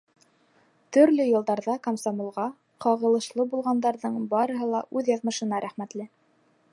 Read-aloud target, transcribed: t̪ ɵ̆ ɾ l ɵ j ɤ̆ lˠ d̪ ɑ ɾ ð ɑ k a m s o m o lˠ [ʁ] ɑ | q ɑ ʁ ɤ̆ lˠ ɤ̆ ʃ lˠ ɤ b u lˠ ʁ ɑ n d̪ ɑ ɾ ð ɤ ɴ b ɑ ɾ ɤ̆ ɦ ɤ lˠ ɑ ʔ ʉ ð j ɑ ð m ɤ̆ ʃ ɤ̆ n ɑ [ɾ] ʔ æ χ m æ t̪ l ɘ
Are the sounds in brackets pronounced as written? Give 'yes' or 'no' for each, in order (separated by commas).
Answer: yes, yes